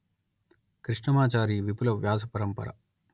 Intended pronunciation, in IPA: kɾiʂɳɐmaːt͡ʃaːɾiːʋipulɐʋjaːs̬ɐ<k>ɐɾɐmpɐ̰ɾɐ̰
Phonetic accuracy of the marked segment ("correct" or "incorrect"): incorrect